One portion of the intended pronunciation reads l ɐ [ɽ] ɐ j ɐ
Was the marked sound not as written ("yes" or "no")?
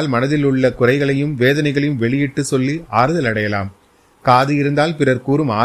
no